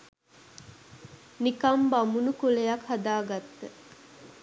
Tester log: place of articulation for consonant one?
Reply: alveolar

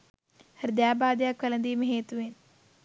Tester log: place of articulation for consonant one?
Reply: glottal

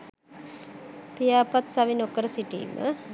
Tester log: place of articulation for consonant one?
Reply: labial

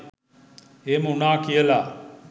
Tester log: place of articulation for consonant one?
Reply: labial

